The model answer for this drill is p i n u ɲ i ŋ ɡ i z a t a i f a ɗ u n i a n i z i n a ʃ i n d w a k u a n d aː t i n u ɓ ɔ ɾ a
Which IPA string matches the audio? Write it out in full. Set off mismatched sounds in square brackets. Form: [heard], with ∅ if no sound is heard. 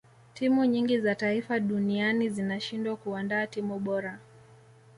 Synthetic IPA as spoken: [t] i [m] u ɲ i ŋ ɡ i z a t a i f a ɗ u n i a n i z i n a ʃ i n d w a k u a n d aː t i [m] u ɓ ɔ ɾ a

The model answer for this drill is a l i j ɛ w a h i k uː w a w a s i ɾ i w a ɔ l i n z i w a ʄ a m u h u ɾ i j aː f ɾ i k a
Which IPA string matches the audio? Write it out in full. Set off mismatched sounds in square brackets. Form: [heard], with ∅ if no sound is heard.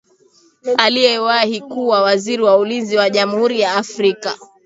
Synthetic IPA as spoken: a l i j ɛ w a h i k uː w a w a [z] i ɾ i w a [u] l i n z i w a ʄ a m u h u ɾ i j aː f ɾ i k a

